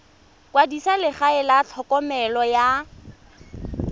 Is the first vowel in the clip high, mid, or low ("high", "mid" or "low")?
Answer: low